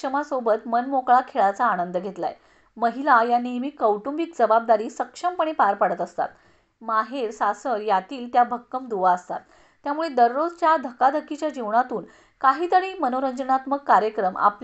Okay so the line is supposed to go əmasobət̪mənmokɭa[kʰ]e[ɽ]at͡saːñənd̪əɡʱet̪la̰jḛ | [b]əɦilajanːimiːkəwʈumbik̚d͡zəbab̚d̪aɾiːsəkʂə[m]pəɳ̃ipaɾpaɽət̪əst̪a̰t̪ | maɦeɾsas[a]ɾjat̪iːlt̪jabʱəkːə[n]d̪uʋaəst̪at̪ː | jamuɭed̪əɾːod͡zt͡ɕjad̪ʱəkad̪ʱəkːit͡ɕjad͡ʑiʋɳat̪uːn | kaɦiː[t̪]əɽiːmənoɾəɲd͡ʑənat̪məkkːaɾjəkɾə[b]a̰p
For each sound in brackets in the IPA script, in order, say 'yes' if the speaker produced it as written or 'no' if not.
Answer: yes, no, no, yes, no, no, yes, no

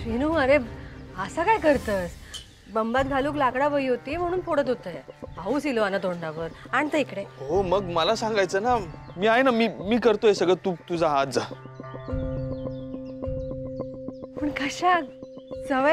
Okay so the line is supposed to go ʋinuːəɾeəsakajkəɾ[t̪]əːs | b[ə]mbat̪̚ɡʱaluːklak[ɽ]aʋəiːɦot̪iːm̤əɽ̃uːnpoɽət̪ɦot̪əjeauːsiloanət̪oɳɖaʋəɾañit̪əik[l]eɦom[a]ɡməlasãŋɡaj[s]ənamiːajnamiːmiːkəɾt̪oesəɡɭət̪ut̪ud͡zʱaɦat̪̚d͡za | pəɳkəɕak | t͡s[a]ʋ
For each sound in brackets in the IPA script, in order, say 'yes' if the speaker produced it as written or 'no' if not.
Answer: yes, yes, yes, no, no, no, no

